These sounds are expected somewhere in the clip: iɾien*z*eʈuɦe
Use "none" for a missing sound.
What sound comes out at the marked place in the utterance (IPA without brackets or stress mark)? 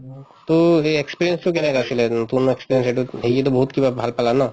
s